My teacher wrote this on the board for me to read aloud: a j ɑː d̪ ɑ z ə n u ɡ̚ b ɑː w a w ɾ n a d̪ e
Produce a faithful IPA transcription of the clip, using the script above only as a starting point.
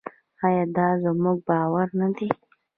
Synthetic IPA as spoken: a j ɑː d̪ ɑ z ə m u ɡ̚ b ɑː w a ɾ n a d̪ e